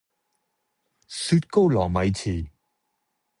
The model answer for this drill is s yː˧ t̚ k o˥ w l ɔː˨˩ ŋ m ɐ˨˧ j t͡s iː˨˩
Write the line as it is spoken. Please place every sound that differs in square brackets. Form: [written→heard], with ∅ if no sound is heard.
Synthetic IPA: s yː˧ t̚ k o˥ w l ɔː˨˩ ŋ m ɐ˨˧ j [t͡s→t͡sʰ] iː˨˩

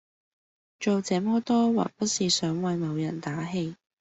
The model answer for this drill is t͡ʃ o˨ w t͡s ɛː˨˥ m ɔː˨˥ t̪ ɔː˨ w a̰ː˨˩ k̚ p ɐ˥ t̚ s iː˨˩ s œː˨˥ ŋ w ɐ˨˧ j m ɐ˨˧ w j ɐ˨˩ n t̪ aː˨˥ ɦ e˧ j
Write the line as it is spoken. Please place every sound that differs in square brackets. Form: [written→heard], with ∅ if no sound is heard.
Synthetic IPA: t͡ʃ o˨ w t͡s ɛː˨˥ m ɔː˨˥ t̪ [ɔː˨→ɔː˥] w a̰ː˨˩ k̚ p ɐ˥ t̚ s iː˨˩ s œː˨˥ ŋ w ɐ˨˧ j m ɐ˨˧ w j ɐ˨˩ n t̪ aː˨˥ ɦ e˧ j

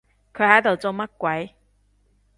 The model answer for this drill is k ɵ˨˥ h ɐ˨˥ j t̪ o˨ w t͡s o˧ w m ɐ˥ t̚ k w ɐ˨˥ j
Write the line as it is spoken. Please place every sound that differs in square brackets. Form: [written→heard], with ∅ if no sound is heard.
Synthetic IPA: [k→kʰ] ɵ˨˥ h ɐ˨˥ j t̪ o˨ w t͡s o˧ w m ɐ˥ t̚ k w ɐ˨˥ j

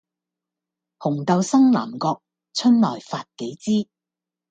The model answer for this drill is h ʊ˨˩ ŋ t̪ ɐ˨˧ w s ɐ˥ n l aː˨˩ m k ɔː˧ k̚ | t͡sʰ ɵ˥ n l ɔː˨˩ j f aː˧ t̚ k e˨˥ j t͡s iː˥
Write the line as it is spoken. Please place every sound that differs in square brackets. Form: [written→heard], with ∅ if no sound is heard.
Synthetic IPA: h ʊ˨˩ ŋ t̪ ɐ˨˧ w s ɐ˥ [n→ŋ] l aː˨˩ m k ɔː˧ k̚ | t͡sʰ ɵ˥ n l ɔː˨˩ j f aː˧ t̚ k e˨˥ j t͡s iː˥

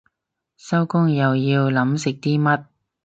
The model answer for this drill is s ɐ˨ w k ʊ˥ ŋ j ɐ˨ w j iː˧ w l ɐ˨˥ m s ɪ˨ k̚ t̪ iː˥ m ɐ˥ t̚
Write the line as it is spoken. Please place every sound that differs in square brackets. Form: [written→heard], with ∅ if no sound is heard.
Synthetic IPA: s [ɐ˨→ɐ˥] w k ʊ˥ ŋ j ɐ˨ w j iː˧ w l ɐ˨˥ m s ɪ˨ k̚ t̪ iː˥ m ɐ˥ t̚

